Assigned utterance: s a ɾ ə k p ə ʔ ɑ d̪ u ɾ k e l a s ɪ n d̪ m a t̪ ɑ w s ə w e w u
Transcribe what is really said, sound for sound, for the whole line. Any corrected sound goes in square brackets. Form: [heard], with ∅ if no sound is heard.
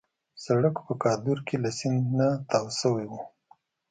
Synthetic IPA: s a [ɽ] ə k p ə [k] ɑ d̪ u ɾ k e l a s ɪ n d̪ [n] a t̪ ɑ w s ə w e w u

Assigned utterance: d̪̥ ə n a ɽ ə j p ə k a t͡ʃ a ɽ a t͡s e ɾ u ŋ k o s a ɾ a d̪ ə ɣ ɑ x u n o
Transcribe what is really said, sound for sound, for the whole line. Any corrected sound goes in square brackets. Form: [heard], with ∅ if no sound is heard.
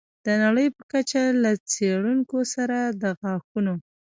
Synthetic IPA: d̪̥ ə n a ɽ ə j p ə k a t͡ʃ a [l] a t͡s e [ɽ] u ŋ k o s a ɾ a d̪ ə ɣ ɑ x u n o

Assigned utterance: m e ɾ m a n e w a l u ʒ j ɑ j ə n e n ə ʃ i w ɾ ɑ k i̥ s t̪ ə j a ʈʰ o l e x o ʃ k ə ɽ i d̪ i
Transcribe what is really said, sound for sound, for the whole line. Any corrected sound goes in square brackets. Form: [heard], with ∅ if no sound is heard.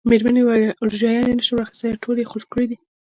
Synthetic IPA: m e ɾ m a n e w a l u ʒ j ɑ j [ɑ] n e n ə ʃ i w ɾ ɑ [x] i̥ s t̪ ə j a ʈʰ o l e x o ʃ k ə ɽ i d̪ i

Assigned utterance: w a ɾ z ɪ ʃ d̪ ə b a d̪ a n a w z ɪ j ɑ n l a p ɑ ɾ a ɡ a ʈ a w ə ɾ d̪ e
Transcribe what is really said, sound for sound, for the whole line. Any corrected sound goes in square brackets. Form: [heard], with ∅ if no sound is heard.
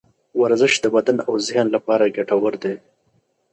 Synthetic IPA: w a ɾ z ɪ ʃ d̪ ə b a d̪ a n a w z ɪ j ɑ n l a p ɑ ɾ a ɡ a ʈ a w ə ɾ d̪ e

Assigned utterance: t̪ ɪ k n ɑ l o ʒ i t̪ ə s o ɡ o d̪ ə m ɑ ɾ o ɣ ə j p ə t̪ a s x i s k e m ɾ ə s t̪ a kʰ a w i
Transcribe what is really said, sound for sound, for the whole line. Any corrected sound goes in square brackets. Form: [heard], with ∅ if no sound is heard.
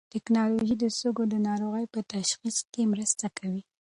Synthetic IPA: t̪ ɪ k n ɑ l o ʒ i [d̪] ə s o ɡ o d̪ ə [n] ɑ ɾ o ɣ ə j p ə t̪ a [ʃ] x i s k e m ɾ ə s t̪ a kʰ a w i

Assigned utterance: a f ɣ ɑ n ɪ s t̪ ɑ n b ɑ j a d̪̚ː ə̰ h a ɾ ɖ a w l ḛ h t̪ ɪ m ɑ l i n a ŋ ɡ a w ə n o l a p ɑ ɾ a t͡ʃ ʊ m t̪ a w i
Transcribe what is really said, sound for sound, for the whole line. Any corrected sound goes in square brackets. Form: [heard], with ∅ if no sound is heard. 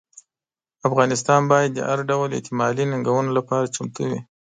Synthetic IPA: a f ɣ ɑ n ɪ s t̪ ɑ n b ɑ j a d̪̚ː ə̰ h a ɾ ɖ a w l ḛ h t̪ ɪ m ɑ l i n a ŋ ɡ a w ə n o l a p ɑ ɾ a t͡ʃ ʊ m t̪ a w i

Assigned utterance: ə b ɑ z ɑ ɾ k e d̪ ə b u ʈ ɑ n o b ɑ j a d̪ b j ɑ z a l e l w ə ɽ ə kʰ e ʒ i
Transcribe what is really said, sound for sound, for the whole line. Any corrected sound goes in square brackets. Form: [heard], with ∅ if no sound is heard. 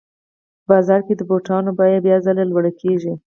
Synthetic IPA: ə b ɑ z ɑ ɾ k e d̪ ə b [o] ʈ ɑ n o b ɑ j a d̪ b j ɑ z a l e l w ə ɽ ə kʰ e ʒ i

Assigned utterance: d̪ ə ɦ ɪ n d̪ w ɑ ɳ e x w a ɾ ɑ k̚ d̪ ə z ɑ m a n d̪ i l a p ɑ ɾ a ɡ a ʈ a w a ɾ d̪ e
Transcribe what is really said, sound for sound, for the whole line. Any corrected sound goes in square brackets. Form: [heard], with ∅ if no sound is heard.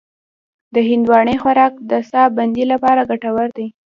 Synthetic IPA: d̪ ə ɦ ɪ n d̪ w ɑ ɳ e x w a ɾ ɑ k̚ d̪ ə [s] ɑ [b] a n d̪ i l a p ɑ ɾ a ɡ a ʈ a w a ɾ d̪ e

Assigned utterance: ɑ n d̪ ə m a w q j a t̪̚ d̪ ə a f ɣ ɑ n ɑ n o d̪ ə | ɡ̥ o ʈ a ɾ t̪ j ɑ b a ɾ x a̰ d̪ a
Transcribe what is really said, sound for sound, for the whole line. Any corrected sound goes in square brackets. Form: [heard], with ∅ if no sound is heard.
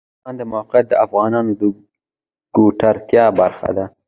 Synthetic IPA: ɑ n d̪ ə m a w q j a t̪̚ d̪ ə a f ɣ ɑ n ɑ n o d̪ ə | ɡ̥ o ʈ a ɾ t̪ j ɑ b a ɾ x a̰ d̪ a

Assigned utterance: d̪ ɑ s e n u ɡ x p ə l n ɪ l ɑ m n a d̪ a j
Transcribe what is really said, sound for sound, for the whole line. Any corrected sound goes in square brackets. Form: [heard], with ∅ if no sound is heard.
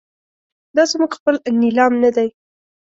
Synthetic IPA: d̪ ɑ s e [m] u ɡ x p ə l n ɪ l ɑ m n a d̪ a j

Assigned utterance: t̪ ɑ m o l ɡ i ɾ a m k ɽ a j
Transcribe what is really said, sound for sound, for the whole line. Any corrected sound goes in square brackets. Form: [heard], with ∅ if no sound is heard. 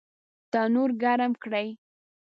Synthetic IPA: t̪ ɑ [n] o [ɾ] ɡ [a] ɾ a m k ɽ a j

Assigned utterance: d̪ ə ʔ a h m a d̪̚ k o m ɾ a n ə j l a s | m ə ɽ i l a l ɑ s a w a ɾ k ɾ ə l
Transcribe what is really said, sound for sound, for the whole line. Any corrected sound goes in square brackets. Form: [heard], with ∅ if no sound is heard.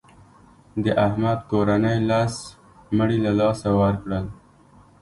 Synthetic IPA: d̪ ə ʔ a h m a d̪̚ k o [∅] ɾ a n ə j l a s | m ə ɽ i l a l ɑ s a w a ɾ k [ɽ] ə l

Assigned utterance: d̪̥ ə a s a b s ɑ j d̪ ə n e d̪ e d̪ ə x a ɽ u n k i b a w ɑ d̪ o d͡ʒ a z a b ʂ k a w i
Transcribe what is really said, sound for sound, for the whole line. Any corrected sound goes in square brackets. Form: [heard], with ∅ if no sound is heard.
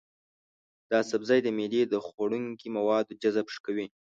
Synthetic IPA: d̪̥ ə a s a b [z] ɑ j d̪ ə [m] e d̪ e d̪ ə x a ɽ u [ŋ] k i [m] a w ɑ d̪ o d͡ʒ a z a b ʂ k a w i

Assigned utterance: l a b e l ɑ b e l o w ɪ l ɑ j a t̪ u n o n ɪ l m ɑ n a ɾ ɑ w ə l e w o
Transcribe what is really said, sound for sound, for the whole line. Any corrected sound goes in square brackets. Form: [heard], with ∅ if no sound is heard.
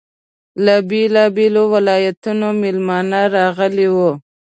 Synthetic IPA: l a b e l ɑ b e l o w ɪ l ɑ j a t̪ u n o [m] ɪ l m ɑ n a ɾ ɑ [ɣ] ə l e w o

